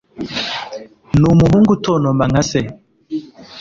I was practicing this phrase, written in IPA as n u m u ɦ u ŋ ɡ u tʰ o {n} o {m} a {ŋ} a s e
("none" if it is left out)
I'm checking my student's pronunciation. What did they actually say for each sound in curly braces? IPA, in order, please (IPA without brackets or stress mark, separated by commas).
n, m, ŋ